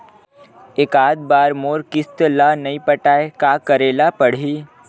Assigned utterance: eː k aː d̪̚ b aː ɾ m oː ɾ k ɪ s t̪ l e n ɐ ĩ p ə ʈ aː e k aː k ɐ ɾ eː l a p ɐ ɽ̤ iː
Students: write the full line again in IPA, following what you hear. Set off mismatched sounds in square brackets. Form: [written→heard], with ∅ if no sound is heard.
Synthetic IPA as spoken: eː k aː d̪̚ b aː ɾ m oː ɾ k ɪ s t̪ l [e→a] n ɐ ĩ p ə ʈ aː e k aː k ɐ ɾ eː l a p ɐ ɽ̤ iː